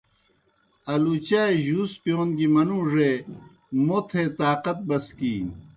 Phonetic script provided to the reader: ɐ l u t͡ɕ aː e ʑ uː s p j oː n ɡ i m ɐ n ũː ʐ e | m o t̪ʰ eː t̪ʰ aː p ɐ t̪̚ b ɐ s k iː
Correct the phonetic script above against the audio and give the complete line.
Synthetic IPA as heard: ɐ l u t͡ɕ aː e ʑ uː s p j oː n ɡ i m ɐ n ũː ʐ e | m o t̪ʰ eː t̪ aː q ɐ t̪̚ b ɐ s k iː